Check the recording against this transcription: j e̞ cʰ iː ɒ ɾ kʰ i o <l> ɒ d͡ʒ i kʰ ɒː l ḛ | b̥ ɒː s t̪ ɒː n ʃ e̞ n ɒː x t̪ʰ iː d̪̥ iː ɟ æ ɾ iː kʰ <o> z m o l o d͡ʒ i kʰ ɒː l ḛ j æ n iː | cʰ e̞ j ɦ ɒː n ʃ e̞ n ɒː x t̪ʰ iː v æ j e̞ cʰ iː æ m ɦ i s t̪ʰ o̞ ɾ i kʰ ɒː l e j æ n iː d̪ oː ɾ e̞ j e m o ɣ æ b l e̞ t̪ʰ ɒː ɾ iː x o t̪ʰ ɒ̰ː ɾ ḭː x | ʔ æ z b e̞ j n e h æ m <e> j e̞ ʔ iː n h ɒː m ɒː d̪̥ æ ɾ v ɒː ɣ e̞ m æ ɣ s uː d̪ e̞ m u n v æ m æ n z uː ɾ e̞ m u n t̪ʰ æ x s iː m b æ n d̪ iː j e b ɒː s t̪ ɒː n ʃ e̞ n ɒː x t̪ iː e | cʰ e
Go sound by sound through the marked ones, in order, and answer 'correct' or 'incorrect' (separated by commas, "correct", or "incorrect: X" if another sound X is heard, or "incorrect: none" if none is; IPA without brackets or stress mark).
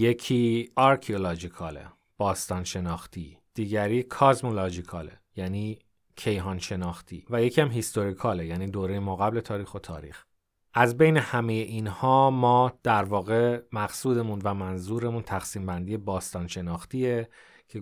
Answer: correct, incorrect: ɒ, correct